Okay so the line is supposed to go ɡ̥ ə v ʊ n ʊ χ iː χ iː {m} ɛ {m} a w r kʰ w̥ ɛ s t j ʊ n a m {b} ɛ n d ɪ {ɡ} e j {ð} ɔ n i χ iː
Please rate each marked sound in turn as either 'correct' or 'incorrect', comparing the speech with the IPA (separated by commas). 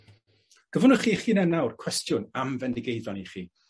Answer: incorrect, incorrect, incorrect, correct, correct